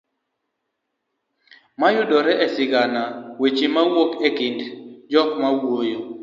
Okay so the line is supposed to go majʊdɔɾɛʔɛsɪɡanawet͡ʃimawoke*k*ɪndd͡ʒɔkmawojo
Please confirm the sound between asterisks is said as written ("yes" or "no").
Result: yes